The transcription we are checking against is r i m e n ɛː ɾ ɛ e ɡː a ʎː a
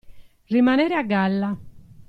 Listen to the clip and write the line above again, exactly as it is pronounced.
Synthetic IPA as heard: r i m a n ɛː ɾ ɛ a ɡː a lː a